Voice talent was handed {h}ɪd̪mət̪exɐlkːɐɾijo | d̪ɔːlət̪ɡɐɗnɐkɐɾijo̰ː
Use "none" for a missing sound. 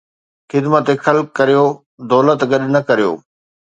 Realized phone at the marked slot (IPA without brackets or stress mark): x